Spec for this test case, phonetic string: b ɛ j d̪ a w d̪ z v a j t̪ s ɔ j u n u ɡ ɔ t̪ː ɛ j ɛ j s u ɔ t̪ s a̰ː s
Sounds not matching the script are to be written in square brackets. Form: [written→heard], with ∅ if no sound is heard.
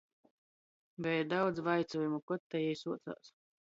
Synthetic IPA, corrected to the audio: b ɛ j d̪ a w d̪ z v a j t̪ s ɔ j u [n→m] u [ɡ→k] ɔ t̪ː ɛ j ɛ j s u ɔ t̪ s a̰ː s